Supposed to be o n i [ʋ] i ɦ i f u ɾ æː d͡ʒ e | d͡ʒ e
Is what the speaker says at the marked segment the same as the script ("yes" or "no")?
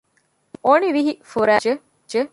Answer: yes